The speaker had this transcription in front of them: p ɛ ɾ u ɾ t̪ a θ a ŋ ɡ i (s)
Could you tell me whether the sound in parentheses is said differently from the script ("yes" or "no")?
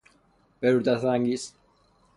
no